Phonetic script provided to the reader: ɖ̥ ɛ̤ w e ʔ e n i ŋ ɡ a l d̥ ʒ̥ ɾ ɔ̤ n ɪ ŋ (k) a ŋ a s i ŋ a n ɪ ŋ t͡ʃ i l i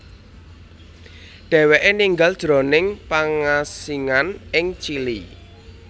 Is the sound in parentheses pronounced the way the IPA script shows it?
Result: no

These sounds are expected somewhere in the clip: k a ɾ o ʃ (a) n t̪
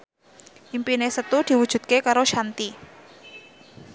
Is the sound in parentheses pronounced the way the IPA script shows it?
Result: yes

